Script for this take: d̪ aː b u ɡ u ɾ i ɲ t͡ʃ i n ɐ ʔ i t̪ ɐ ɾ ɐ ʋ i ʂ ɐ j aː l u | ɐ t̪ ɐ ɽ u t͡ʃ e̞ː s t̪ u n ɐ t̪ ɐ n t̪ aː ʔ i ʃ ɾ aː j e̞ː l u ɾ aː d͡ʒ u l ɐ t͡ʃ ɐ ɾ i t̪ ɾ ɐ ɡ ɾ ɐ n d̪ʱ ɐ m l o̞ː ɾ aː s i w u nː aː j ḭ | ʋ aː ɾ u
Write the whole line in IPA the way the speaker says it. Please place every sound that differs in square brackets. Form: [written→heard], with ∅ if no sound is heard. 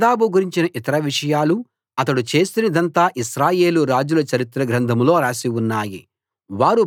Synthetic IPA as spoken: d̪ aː b u ɡ u ɾ i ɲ t͡ʃ i n ɐ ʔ i t̪ ɐ ɾ ɐ ʋ i ʂ ɐ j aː l u | ɐ t̪ ɐ ɽ u t͡ʃ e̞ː s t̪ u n ɐ [t̪→d̪] ɐ n t̪ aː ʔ i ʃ ɾ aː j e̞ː l u ɾ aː d͡ʒ u l ɐ t͡ʃ ɐ ɾ i t̪ ɾ ɐ ɡ ɾ ɐ n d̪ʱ ɐ m l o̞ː ɾ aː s i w u nː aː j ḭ | ʋ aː ɾ u